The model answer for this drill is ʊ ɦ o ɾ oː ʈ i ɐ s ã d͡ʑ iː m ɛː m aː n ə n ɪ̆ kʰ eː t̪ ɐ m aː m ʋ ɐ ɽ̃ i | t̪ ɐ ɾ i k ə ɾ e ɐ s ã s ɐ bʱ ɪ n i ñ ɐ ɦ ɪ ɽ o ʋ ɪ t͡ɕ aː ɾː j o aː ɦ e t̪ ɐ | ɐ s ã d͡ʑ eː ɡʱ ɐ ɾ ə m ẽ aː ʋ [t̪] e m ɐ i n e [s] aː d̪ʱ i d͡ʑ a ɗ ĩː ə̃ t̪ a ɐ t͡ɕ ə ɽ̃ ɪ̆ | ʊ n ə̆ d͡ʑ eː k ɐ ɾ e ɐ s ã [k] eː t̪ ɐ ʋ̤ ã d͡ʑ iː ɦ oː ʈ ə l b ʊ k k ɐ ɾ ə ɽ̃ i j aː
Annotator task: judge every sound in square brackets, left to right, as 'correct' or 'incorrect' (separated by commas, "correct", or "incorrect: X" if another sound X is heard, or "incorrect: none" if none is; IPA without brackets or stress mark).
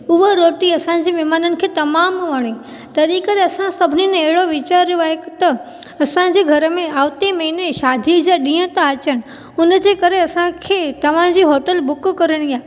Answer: correct, incorrect: ʃ, incorrect: kʰ